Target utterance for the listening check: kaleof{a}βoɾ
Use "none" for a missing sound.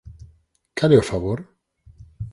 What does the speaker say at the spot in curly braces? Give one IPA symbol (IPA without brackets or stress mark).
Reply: a